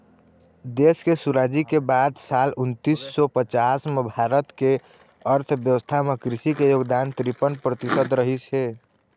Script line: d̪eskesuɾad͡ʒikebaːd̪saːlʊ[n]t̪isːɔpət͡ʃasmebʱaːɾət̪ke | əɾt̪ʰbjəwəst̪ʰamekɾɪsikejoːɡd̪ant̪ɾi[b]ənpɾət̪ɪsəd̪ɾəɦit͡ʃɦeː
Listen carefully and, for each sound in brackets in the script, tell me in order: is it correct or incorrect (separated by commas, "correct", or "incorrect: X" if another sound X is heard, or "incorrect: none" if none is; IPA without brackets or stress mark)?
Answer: correct, incorrect: p